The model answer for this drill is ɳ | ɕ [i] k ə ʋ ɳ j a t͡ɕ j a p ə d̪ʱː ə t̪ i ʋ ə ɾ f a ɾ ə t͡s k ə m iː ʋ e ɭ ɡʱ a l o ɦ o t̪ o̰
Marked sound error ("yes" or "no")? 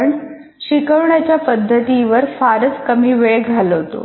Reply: no